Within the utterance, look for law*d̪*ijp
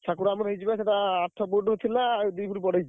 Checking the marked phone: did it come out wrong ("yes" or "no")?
no